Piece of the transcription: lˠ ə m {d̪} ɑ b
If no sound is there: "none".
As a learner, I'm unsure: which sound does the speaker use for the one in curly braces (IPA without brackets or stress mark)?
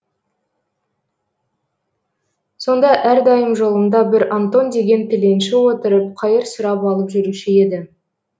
d̪